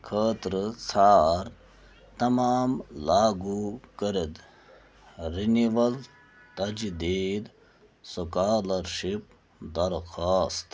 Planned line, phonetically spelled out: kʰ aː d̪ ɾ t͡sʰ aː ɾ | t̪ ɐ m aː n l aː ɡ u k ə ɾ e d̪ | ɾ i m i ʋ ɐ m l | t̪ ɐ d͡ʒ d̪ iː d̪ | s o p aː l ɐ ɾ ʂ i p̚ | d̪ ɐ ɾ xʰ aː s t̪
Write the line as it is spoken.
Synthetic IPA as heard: kʰ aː t̪ ɾ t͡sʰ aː ɾ | t̪ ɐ m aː m l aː ɡ u k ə ɾ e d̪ | ɾ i n i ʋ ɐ l | t̪ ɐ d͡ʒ d̪ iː d̪ | s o k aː l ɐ ɾ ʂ i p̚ | d̪ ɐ ɾ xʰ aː s t̪

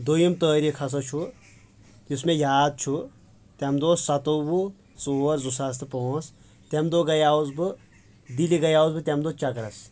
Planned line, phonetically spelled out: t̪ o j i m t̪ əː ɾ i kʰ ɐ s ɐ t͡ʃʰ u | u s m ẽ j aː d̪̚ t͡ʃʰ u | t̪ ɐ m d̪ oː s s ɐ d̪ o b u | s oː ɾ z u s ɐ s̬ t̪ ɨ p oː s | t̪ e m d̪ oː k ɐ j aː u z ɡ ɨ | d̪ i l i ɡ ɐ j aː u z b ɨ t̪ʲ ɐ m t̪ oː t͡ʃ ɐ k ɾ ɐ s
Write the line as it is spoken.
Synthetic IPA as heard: d̪ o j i m t̪ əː ɾ i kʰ ɐ s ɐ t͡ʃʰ u | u s m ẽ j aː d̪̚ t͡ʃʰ u | t̪ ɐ m d̪ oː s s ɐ t̪ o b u | s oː ɾ z u s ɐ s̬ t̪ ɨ p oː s | t̪ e m d̪ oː ɡ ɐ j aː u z b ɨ | d̪ i l i ɡ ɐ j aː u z b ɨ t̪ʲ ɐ m d̪ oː t͡ʃ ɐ k ɾ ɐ s

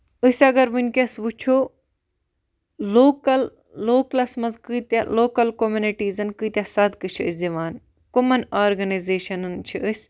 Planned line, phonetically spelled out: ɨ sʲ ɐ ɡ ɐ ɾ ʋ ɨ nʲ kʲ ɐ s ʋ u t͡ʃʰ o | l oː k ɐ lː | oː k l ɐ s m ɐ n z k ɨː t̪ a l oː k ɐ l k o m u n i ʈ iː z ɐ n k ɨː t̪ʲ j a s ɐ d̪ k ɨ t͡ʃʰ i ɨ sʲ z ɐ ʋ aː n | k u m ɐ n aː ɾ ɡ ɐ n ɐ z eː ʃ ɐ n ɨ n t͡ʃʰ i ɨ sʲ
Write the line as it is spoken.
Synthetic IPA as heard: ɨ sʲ ɐ ɡ ɐ ɾ ʋ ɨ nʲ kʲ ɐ s ʋ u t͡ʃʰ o | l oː k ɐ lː | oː k l ɐ s m ɐ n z k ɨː t̪ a l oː k ɐ l k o m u n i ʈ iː z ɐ n k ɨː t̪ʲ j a s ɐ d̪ k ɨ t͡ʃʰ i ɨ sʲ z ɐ ʋ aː n | k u m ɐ n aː ɾ ɡ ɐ n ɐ z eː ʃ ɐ n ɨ n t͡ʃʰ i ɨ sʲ

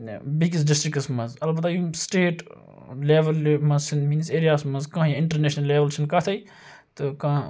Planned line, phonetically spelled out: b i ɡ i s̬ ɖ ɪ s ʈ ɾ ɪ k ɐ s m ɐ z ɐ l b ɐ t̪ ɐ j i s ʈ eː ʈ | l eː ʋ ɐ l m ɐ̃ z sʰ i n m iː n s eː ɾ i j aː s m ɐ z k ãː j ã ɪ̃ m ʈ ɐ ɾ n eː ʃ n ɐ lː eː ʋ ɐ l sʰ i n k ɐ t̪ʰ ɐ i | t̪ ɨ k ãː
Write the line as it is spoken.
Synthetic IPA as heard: b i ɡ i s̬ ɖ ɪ s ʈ ɾ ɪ k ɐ s m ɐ z ɐ l b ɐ t̪ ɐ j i s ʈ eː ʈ | l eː ʋ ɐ l m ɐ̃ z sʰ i n m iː n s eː ɾ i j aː s m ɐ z k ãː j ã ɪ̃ ɳ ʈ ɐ ɾ n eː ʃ n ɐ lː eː ʋ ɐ l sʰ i n k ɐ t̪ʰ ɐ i | t̪ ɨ k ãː

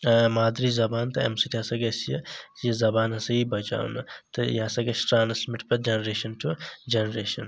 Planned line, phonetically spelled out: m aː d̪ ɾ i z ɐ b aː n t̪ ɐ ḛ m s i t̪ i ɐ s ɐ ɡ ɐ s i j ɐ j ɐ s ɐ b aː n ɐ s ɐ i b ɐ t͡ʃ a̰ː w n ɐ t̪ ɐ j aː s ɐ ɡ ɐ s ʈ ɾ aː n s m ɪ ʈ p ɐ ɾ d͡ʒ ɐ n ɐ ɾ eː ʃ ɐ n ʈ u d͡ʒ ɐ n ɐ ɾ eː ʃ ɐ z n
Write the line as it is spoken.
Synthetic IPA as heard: m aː d̪ ɾ i z ɐ b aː n t̪ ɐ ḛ m s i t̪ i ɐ s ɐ ɡ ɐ s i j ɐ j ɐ z ɐ b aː n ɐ s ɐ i b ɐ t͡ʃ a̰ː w n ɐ t̪ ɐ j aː s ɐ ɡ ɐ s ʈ ɾ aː n s m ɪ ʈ p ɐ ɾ d͡ʒ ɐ n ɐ ɾ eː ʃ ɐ n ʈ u d͡ʒ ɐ n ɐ ɾ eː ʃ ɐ n

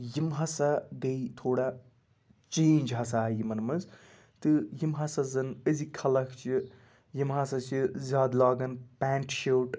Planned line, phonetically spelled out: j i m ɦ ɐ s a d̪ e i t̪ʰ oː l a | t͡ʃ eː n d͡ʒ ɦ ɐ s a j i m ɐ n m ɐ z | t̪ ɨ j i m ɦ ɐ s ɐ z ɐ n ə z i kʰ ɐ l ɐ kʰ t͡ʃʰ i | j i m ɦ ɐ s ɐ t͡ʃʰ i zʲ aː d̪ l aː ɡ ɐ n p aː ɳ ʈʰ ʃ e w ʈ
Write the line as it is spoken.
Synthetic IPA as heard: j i m ɦ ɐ s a d̪ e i t̪ʰ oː ɽ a | t͡ʃ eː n d͡ʒ ɦ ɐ s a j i m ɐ n m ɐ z | t̪ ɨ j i m ɦ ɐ s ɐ z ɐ n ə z i kʰ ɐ l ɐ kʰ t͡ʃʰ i | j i m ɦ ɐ s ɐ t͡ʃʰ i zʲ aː d̪ l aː ɡ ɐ n p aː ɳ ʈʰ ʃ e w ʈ

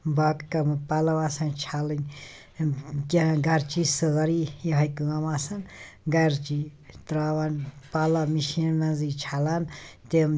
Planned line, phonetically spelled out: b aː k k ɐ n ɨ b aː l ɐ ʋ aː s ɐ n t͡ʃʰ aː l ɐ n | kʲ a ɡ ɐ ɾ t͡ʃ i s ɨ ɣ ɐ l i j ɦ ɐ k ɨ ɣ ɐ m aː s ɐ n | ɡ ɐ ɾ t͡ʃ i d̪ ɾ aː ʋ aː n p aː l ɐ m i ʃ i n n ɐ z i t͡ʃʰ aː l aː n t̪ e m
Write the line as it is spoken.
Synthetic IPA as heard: b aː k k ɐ m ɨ p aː l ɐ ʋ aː s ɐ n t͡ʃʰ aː l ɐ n | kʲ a ɡ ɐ ɾ t͡ʃ i s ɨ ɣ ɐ ɾ i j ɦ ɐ k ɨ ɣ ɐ m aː s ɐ n | ɡ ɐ ɾ t͡ʃ i t̪ ɾ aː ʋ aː n p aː l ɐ m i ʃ i n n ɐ z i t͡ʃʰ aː l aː n t̪ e m

